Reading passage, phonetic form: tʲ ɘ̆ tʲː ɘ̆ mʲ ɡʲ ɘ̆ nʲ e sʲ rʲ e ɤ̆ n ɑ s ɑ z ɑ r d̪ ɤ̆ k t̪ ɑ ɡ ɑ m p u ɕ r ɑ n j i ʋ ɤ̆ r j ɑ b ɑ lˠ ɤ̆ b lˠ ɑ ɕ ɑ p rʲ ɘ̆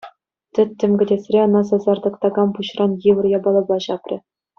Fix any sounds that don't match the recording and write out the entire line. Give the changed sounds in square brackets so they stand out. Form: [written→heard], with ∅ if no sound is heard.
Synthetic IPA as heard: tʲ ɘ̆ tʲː ɘ̆ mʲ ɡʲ ɘ̆ [nʲ→dʲ] e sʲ rʲ e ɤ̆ n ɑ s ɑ z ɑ r d̪ ɤ̆ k t̪ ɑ ɡ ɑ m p u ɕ r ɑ n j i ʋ ɤ̆ r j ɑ b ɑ lˠ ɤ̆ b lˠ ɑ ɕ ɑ p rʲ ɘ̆